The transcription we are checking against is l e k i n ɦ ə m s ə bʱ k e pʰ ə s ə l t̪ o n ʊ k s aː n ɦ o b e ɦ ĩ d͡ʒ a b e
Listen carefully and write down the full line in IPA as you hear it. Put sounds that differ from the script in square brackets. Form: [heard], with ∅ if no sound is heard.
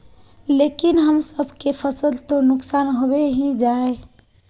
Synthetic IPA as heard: l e k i n ɦ ə m s ə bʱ k e pʰ ə s ə l t̪ o n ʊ k s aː n ɦ o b e ɦ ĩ d͡ʒ a [∅] e